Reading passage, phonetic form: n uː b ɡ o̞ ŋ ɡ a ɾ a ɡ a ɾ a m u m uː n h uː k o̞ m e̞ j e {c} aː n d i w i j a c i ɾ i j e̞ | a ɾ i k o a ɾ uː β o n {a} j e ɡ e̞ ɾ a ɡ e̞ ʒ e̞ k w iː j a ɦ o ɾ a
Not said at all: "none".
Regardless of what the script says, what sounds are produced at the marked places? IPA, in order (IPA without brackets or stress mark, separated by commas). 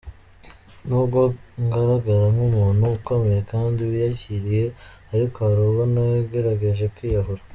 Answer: k, a